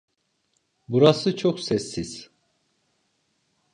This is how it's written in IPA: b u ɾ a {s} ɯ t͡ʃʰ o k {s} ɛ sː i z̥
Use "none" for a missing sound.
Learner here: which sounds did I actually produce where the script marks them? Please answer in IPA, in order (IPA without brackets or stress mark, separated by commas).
s, s